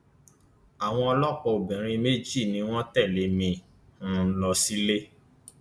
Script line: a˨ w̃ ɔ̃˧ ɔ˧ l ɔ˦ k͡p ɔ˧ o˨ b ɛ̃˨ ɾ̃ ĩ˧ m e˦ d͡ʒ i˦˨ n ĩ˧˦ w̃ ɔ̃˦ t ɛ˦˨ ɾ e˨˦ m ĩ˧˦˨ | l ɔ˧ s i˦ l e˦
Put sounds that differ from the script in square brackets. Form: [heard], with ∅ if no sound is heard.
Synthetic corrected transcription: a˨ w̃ ɔ̃˧ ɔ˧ l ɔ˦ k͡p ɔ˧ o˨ b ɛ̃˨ ɾ̃ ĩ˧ m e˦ d͡ʒ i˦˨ n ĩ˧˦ w̃ ɔ̃˦ t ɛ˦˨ [l] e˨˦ m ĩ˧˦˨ | l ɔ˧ s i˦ l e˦